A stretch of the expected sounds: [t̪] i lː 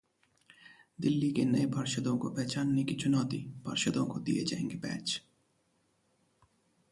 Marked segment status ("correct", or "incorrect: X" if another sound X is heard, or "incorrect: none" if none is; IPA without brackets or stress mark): incorrect: d̪